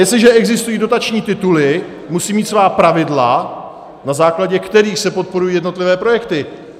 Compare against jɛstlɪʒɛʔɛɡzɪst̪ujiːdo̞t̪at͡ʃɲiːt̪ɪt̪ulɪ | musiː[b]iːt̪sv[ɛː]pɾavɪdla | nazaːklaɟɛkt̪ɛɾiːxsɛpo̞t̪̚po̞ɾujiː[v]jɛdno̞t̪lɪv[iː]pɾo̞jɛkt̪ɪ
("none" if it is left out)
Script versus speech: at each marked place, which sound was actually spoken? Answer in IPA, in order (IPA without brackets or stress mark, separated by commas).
m, aː, none, ɛː